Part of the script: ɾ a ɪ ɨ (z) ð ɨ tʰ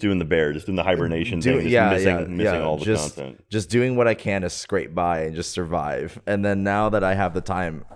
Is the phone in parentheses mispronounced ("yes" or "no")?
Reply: yes